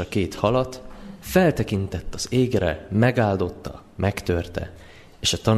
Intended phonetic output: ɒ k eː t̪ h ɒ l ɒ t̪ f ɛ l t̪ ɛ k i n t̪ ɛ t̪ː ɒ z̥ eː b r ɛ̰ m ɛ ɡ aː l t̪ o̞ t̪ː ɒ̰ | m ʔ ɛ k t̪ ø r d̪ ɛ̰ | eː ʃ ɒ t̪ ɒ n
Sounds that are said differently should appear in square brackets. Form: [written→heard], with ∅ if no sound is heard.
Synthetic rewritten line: ɒ k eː t̪ h ɒ l ɒ t̪ f ɛ l t̪ ɛ k i n t̪ ɛ t̪ː ɒ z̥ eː [b→ɡ] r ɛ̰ m ɛ ɡ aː l [t̪→d̪] o̞ t̪ː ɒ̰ | m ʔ ɛ k t̪ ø r [d̪→t̪] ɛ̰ | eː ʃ ɒ t̪ ɒ n